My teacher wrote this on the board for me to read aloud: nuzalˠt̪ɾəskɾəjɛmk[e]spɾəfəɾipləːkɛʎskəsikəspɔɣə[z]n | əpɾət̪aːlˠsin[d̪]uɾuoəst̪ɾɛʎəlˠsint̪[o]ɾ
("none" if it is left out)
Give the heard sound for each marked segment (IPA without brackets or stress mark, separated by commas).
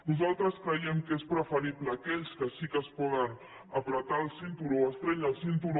e, none, t̪, u